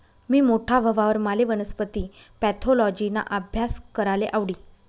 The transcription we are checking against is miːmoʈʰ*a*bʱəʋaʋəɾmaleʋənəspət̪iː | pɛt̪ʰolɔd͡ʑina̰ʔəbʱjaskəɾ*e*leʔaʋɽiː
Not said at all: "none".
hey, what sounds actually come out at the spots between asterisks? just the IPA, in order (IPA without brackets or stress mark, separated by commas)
a, a